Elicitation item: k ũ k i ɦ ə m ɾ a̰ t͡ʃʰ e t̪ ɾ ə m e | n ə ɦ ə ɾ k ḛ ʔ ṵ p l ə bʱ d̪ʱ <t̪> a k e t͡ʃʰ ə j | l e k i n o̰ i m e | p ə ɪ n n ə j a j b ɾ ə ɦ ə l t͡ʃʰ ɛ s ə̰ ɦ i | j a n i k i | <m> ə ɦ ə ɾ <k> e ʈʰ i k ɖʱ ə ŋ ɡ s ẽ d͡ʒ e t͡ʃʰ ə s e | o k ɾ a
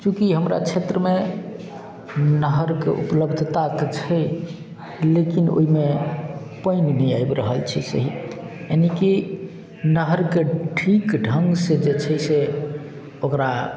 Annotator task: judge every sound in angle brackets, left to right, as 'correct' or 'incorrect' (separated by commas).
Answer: correct, incorrect, correct